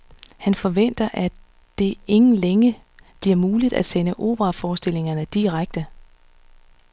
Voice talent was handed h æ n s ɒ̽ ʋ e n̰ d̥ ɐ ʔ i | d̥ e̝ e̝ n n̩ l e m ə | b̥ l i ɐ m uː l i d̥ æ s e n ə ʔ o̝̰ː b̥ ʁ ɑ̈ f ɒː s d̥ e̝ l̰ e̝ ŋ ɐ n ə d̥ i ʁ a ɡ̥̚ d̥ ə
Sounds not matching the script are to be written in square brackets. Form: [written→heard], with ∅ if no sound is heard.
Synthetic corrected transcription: h æ n [s→f] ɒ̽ ʋ e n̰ d̥ ɐ ʔ [i→æ] | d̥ e̝ e̝ [n→ŋ] n̩ l e [m→ŋ] ə | b̥ l i ɐ m uː l i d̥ æ s e n ə ʔ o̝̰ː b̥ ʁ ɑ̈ f ɒː s d̥ e̝ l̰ e̝ ŋ ɐ n ə d̥ i ʁ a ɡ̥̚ d̥ ə